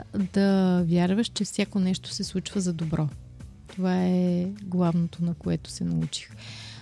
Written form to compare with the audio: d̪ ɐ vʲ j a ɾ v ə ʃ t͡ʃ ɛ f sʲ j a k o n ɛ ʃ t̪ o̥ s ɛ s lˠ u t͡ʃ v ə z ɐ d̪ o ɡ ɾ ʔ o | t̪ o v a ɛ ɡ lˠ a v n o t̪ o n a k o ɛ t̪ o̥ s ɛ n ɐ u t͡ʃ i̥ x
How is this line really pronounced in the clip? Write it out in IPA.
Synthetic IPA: d̪ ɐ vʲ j a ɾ v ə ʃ t͡ʃ ɛ f sʲ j a k o n ɛ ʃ t̪ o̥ s ɛ s lˠ u t͡ʃ v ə z ɐ d̪ o b ɾ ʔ ɔ | t̪ o v a ɛ ɡ lˠ a v n o t̪ o n ɐ k o ɛ t̪ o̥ s ɛ n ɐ u t͡ʃ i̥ x